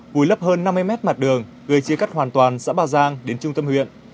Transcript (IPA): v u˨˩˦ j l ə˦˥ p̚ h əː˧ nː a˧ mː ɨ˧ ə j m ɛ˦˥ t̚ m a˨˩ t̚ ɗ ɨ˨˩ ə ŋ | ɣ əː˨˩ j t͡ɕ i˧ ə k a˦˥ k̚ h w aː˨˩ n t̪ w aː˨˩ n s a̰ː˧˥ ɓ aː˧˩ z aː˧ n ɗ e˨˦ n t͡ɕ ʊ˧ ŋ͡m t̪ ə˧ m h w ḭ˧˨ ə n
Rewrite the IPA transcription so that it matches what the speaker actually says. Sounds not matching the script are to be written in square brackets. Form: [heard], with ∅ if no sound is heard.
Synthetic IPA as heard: v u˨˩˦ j l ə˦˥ p̚ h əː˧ nː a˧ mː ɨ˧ ə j m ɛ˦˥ t̚ m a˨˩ t̚ ɗ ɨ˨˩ ə ŋ | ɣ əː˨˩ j t͡ɕ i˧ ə k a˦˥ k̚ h w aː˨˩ n t̪ w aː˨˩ n s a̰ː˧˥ ɓ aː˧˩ z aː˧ [ŋ] ɗ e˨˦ n t͡ɕ ʊ˧ ŋ͡m t̪ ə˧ m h w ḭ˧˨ ə n